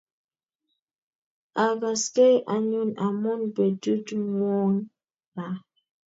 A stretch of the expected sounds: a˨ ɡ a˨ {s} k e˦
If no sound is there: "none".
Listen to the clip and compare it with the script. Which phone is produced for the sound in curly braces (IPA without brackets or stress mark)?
s